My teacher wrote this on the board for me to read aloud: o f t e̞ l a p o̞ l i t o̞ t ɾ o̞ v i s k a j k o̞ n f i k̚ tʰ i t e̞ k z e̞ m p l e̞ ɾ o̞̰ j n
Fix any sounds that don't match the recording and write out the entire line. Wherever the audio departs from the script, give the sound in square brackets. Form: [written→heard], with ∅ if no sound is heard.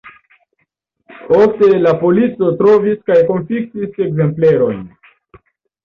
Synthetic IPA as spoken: o f t e̞ l a p o̞ l i [t→t͡s] o̞ t ɾ o̞ v i s k a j k o̞ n f i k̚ [tʰ→t] i [t→s] e̞ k z e̞ m p l e̞ ɾ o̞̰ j n